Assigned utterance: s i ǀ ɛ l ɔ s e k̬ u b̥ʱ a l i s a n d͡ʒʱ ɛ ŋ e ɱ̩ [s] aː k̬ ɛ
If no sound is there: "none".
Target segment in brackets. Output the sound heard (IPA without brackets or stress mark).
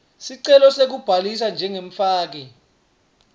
f